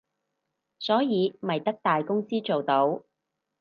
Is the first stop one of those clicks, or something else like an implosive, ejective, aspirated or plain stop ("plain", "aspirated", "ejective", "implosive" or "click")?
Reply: plain